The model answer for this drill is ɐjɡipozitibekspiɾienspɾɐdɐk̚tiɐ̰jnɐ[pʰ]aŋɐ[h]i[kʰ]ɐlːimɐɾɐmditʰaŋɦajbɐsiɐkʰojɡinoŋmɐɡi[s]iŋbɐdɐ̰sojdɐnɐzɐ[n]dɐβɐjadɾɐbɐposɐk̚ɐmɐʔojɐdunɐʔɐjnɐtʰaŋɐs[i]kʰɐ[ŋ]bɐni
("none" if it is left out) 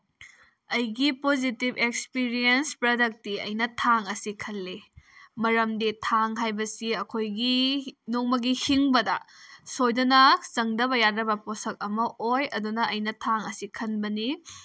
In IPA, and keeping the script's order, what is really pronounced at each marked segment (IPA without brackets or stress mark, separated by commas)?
tʰ, s, kʰ, h, ŋ, i, n